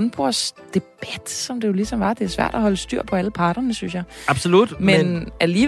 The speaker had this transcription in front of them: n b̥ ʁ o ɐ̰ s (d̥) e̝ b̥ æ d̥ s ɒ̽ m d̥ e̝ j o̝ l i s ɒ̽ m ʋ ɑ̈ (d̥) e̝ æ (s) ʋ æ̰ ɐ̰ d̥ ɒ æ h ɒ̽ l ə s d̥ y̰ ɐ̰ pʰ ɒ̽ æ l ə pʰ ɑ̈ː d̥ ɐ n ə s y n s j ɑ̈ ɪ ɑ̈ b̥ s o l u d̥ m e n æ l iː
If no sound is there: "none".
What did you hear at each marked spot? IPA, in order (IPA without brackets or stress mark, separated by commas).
d̥, d̥, s